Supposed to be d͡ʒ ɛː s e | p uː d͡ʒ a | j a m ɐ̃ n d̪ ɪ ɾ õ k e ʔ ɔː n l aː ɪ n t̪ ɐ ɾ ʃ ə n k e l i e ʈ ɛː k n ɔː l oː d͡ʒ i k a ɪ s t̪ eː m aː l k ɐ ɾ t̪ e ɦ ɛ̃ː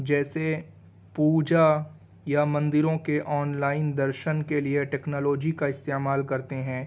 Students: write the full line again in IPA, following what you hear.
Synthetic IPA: d͡ʒ ɛː s e | p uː d͡ʒ a | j a m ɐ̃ n d̪ ɪ ɾ õ k e ʔ ɔː n l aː ɪ n d̪ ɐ ɾ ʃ ə n k e l i e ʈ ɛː k n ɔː l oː d͡ʒ i k a ɪ s t̪ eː m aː l k ɐ ɾ t̪ e ɦ ɛ̃ː